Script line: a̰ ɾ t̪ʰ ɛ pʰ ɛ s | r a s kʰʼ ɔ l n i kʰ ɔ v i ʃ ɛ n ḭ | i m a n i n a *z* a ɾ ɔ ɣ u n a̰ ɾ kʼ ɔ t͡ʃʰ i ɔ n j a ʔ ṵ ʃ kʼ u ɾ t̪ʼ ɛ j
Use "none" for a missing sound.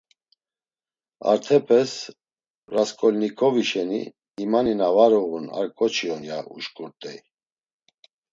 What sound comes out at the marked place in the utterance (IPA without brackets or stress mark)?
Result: v